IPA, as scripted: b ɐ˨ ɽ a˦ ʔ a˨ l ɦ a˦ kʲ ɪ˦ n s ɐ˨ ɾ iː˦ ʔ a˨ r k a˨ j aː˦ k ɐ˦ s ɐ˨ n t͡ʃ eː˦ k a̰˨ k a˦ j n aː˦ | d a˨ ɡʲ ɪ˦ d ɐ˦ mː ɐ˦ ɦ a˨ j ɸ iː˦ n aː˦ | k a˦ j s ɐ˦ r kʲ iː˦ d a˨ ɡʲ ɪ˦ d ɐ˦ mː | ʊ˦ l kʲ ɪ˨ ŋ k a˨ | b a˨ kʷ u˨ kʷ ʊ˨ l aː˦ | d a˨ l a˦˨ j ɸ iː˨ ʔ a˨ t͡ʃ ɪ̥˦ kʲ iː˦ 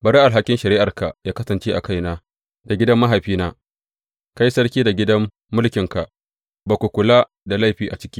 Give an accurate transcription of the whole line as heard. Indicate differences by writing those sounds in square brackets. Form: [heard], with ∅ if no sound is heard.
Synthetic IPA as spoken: b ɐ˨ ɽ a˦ ʔ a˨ l ɦ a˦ kʲ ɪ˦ n [ʃ] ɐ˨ ɾ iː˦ ʔ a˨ r k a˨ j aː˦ k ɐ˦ s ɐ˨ n t͡ʃ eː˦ [ʔ] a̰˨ k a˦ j n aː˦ | d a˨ ɡʲ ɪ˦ d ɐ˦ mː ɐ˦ ɦ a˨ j ɸ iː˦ n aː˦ | k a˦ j s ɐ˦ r kʲ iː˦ d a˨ ɡʲ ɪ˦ d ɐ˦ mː | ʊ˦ l kʲ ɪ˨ ŋ k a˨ | b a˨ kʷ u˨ kʷ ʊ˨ l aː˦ | d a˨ l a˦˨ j ɸ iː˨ ʔ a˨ t͡ʃ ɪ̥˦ kʲ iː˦